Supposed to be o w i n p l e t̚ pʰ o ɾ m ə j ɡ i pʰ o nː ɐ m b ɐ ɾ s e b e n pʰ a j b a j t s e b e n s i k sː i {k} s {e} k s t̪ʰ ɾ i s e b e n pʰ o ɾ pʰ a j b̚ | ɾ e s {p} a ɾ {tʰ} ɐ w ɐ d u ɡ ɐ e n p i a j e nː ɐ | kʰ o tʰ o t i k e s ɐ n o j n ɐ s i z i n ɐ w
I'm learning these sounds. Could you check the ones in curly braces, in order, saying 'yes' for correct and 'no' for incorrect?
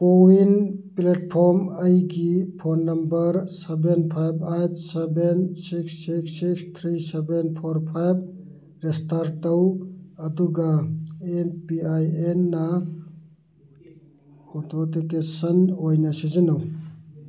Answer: yes, no, no, no

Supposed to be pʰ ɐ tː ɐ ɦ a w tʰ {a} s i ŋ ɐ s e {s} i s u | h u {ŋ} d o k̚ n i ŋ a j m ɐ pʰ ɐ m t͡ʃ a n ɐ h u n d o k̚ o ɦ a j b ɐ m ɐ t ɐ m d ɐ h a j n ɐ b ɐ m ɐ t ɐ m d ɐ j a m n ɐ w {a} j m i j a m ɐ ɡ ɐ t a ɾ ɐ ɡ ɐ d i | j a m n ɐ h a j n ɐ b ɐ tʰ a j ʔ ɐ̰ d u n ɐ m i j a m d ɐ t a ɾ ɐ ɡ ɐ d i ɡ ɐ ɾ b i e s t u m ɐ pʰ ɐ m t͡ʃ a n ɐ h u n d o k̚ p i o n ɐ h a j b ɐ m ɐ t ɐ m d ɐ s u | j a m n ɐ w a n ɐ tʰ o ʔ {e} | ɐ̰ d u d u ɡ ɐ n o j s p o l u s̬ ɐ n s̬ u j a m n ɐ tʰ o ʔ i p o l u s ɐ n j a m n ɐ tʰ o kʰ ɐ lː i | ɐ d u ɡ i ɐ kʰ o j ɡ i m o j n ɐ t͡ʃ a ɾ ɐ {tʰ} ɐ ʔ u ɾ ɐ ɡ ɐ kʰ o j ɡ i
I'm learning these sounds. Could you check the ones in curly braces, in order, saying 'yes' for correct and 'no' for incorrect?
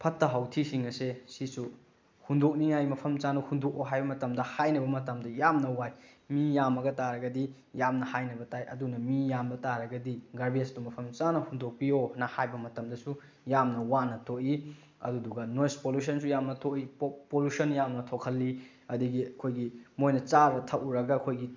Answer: no, yes, no, yes, no, yes

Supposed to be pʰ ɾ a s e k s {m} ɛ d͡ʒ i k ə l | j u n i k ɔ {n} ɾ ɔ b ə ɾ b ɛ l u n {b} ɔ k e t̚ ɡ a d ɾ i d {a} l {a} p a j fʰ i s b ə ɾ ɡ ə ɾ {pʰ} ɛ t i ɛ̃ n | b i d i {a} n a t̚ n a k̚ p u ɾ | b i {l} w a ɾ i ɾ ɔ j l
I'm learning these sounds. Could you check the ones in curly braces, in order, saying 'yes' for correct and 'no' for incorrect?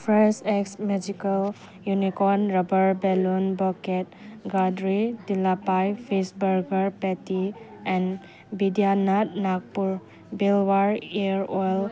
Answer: yes, yes, yes, no, yes, no, yes, yes

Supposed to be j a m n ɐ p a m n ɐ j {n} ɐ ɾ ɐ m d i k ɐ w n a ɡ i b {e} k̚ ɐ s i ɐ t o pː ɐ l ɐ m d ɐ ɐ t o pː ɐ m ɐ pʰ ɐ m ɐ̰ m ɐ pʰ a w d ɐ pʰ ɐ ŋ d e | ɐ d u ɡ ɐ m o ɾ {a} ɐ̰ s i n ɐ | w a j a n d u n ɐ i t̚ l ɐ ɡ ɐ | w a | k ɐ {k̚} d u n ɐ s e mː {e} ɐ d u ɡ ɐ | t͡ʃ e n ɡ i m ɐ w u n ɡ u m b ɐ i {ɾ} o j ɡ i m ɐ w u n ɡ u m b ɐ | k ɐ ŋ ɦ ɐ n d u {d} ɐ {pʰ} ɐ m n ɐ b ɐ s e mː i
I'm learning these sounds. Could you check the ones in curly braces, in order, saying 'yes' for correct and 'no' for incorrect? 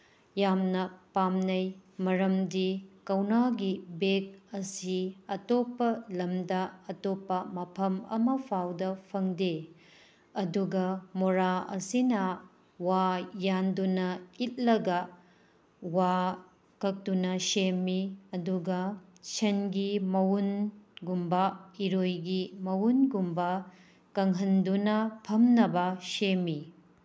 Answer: no, yes, yes, yes, no, yes, no, yes

